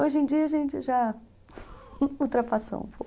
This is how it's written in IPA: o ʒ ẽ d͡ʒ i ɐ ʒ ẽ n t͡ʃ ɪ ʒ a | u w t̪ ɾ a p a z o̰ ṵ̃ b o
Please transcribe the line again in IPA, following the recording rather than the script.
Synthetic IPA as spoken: o ʒ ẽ d͡ʒ i ɐ ʒ ẽ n t͡ʃ ɪ ʒ a | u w t̪ ɾ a p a s o̰ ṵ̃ p o